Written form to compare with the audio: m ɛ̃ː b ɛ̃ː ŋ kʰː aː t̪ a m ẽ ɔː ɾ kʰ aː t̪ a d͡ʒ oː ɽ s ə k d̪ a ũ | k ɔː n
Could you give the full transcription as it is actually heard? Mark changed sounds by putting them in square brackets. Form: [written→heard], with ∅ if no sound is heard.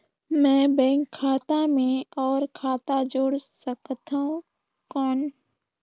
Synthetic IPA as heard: m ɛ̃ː b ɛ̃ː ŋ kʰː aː t̪ a m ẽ ɔː ɾ kʰ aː t̪ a d͡ʒ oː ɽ s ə k [d̪→t̪] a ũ | k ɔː n

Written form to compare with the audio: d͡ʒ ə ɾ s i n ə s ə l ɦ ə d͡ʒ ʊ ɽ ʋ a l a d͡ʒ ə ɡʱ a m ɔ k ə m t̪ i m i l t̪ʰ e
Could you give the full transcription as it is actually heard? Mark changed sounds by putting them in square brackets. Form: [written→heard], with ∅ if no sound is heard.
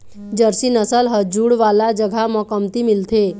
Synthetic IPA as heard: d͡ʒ ə ɾ s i n ə s ə l ɦ ə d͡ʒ [ʊ→u] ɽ ʋ a l a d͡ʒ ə ɡʱ a m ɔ k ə m t̪ i m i l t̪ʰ e

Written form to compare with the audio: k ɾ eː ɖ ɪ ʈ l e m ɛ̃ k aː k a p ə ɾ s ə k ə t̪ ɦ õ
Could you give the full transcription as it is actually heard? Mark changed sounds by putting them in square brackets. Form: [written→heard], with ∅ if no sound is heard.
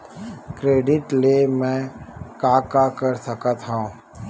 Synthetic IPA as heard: k ɾ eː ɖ ɪ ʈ l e m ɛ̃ k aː k a [p→k] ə ɾ s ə k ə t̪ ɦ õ

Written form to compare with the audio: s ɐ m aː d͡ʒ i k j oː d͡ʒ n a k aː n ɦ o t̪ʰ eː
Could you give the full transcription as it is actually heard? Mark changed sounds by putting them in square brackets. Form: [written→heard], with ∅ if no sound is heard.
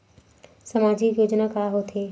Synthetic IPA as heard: s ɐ m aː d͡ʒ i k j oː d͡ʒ n a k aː [n→∅] ɦ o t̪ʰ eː

